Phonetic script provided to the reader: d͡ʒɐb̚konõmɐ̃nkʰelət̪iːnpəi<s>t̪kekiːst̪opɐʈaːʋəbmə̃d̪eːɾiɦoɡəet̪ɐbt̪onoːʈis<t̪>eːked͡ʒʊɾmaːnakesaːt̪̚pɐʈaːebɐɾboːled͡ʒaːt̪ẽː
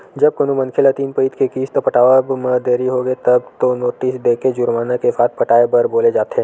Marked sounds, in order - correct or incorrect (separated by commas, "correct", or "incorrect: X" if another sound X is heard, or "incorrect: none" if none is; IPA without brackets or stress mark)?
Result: incorrect: none, incorrect: d̪